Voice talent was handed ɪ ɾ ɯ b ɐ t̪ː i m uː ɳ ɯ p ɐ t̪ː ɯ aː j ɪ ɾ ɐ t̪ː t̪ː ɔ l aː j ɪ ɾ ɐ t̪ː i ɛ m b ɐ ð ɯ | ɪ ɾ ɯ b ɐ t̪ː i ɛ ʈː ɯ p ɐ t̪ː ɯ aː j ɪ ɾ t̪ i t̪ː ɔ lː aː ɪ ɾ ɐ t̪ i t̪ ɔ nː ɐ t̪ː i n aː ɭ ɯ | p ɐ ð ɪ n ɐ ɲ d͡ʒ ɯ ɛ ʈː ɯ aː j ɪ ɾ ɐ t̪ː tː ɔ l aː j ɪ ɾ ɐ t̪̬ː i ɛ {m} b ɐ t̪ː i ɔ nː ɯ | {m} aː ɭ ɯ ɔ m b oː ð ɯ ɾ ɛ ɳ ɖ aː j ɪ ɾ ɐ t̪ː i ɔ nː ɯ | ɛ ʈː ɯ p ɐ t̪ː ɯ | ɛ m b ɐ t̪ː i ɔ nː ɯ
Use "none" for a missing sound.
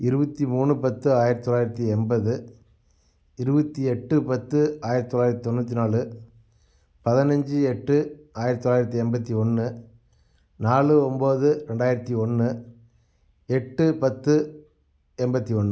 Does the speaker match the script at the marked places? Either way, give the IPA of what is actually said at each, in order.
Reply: m, n

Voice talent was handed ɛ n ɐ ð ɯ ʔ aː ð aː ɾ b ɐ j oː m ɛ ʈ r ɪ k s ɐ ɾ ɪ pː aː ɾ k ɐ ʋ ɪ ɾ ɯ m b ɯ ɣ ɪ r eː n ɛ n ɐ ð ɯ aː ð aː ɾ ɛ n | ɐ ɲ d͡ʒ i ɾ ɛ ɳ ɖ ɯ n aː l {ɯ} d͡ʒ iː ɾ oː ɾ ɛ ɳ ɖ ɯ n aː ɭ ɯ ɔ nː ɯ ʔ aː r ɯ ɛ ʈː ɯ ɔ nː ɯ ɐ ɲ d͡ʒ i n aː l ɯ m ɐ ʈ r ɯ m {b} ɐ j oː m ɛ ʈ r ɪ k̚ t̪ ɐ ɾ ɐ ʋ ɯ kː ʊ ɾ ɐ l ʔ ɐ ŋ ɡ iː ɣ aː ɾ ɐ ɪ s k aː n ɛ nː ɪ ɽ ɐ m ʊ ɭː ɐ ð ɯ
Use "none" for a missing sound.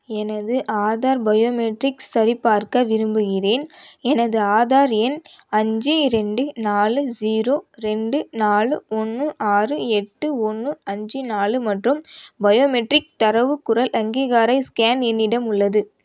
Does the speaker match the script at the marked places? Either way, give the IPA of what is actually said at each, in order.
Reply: ɯ, b

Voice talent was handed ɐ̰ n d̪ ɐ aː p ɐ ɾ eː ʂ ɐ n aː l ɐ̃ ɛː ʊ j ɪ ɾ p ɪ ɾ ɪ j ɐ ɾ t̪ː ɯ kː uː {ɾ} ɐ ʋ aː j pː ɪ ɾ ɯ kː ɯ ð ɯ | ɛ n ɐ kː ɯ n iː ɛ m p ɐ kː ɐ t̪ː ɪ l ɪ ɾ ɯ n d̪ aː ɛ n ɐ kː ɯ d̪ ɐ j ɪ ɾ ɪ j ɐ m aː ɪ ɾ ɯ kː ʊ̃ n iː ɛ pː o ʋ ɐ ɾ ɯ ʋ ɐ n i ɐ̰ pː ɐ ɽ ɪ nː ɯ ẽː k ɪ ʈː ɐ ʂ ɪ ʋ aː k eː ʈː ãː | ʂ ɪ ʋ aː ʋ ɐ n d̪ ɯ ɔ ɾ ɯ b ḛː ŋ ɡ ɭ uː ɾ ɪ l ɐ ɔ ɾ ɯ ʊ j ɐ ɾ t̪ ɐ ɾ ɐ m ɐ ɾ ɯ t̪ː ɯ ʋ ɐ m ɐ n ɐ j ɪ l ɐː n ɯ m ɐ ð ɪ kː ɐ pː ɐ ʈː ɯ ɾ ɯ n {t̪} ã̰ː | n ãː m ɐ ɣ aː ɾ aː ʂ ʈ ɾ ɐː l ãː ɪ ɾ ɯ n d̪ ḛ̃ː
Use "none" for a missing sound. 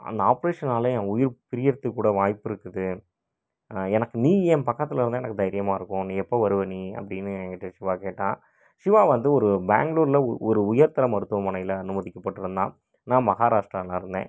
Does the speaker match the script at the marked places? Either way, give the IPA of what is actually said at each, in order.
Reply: ɽ, d̪

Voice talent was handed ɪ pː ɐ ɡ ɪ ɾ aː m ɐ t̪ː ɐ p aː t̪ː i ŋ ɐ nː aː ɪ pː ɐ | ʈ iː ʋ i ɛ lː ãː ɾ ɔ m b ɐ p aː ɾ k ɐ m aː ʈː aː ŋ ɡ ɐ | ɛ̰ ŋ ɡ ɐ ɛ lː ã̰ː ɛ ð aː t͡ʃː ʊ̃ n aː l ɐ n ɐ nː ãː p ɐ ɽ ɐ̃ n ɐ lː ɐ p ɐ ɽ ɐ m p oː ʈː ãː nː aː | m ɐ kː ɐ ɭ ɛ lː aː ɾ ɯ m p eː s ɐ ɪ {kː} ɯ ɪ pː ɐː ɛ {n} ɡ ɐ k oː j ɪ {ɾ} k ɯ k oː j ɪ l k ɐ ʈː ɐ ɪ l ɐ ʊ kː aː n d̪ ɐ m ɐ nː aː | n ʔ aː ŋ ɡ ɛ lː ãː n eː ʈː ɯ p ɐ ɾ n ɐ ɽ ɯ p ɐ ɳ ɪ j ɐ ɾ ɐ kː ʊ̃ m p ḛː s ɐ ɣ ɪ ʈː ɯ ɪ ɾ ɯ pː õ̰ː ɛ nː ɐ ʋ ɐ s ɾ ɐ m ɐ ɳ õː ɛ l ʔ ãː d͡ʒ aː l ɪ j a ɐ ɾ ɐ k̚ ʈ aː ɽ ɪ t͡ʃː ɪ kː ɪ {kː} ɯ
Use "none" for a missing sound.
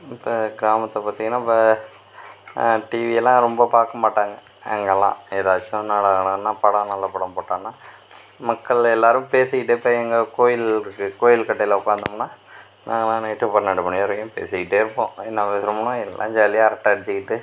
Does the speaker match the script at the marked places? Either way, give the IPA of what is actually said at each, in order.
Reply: ʈː, ŋ, l, ʈː

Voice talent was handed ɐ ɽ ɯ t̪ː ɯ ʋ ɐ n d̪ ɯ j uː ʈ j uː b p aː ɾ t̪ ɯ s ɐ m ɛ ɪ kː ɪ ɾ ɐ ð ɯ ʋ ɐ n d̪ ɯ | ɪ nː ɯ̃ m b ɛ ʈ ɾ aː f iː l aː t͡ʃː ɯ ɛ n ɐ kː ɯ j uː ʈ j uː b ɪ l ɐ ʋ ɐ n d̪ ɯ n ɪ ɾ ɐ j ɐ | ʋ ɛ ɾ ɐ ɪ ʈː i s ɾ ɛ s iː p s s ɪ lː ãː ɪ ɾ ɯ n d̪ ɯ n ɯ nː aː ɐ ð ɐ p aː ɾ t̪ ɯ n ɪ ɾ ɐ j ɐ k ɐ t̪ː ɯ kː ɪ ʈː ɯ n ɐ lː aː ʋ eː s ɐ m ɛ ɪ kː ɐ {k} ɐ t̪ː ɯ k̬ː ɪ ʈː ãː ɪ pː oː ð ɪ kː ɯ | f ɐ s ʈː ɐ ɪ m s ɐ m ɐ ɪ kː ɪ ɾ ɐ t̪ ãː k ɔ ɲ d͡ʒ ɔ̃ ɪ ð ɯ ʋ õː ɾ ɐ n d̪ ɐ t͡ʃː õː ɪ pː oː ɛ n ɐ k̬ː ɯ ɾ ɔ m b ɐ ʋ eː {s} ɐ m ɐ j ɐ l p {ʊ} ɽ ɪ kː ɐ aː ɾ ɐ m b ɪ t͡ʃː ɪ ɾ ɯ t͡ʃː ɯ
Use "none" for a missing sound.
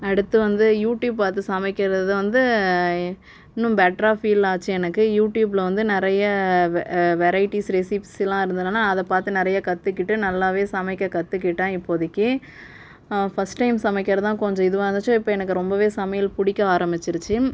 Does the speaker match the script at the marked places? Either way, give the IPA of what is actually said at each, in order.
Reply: k, s, ʊ

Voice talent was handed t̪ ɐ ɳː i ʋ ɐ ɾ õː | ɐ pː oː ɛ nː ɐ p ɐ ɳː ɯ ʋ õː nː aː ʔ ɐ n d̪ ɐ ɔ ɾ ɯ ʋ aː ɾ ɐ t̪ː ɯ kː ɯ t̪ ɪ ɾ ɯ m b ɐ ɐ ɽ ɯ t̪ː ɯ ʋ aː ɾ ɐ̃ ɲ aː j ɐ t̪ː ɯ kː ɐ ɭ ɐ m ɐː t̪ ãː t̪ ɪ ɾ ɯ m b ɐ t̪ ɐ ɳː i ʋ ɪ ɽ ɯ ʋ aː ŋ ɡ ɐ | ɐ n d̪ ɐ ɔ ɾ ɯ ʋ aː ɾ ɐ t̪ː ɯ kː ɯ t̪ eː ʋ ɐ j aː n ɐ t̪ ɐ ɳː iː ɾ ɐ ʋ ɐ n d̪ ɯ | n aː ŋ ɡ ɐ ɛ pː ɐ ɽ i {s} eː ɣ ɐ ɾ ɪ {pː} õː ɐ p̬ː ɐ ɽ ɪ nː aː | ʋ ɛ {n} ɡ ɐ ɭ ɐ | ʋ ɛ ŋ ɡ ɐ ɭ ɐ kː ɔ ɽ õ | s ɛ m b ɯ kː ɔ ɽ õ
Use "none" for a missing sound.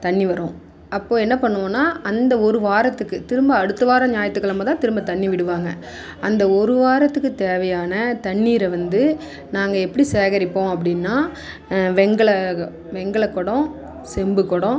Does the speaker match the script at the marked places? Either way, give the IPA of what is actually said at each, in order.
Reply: s, pː, ŋ

